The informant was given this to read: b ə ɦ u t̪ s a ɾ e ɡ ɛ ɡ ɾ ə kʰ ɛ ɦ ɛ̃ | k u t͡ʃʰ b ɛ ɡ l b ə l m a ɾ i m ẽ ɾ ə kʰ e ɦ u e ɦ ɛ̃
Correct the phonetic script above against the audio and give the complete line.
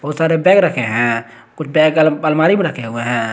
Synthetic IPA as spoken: b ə ɦ u t̪ s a ɾ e b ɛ ɡ ɾ ə kʰ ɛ ɦ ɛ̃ | k u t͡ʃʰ b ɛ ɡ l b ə l m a ɾ i m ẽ ɾ ə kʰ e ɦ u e ɦ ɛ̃